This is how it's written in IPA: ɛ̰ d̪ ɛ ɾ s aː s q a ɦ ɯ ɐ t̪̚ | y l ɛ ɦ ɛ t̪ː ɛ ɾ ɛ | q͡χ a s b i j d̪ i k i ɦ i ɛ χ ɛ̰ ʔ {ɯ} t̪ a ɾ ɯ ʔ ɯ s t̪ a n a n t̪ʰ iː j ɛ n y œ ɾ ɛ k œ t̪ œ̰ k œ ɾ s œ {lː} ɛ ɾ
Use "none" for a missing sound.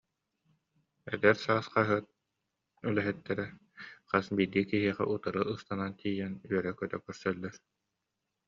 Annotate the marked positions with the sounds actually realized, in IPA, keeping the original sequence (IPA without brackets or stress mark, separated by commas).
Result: u, lː